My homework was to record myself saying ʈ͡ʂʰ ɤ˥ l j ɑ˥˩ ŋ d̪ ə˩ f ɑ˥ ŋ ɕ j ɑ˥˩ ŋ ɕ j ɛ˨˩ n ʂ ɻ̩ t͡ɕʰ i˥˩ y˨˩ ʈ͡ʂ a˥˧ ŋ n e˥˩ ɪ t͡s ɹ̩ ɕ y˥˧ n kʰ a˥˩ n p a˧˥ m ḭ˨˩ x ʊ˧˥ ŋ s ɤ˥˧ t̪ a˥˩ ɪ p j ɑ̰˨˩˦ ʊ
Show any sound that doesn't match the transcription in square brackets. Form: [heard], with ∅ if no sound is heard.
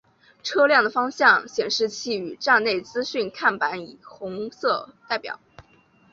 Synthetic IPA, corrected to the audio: ʈ͡ʂʰ ɤ˥ l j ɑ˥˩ ŋ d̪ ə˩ f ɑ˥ ŋ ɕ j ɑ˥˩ ŋ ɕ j ɛ˨˩ n ʂ ɻ̩ t͡ɕʰ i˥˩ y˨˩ ʈ͡ʂ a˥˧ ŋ n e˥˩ ɪ t͡s ɹ̩ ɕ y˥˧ n kʰ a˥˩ n p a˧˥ [n] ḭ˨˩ x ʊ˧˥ ŋ s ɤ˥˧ t̪ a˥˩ ɪ p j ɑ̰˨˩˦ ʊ